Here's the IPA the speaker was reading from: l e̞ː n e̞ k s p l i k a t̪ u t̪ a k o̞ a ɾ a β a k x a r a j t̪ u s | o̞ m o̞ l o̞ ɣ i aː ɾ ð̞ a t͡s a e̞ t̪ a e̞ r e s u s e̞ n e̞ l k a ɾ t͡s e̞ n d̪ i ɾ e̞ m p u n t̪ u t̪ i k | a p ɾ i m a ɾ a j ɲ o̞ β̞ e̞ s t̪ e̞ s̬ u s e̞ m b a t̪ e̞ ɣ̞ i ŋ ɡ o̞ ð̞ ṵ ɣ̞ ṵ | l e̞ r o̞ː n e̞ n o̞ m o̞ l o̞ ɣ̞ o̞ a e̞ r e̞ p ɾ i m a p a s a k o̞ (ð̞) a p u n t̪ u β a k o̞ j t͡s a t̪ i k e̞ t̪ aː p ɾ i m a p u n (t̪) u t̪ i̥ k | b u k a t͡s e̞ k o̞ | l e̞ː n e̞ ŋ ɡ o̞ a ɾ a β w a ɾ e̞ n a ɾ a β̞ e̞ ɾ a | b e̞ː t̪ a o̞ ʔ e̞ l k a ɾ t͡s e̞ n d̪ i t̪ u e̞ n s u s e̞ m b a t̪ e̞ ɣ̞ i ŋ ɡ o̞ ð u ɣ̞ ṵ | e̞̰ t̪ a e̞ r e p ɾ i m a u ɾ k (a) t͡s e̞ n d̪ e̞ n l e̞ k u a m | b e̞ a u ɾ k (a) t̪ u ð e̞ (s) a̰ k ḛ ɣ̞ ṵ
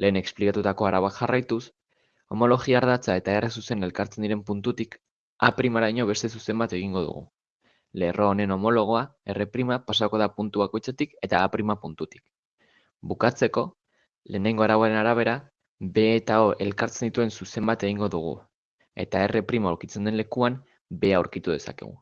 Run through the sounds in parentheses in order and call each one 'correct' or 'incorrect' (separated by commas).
correct, correct, incorrect, incorrect, correct